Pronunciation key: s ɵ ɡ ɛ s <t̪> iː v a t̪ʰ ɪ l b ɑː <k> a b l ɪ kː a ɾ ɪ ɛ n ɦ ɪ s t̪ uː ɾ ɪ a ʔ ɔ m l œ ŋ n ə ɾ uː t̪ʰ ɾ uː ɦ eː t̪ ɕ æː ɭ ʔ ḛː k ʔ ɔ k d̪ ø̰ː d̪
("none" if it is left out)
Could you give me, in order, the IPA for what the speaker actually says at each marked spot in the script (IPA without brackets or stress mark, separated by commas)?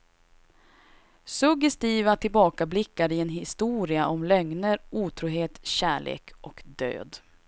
t̪, k